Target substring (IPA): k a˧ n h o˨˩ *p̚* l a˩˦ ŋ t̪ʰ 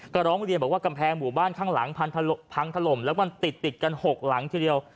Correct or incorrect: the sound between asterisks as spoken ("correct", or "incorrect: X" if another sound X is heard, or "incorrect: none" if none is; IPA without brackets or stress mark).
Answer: incorrect: k̚